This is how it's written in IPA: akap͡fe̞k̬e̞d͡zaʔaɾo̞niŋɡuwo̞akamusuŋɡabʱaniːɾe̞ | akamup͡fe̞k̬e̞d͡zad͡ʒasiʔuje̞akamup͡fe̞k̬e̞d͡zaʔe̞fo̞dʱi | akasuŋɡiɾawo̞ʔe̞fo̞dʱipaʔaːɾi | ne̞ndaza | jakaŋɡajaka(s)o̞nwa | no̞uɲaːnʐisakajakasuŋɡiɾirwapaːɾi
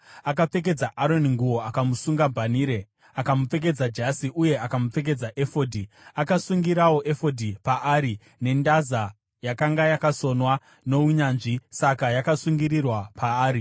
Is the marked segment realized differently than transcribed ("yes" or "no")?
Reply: no